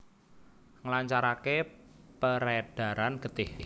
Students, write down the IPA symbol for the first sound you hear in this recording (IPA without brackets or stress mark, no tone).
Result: ŋ